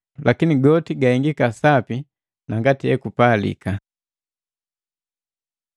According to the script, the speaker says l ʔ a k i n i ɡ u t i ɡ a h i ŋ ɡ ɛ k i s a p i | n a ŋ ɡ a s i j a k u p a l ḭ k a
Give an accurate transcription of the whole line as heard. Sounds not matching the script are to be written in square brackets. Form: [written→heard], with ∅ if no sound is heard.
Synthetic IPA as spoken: l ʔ a k i n i ɡ [u→ɔ] t i ɡ a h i ŋ ɡ [ɛ→i] k [i→a] s a p i | n a ŋ ɡ a [s→t] i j [a→ɛ] k u p a l ḭ k a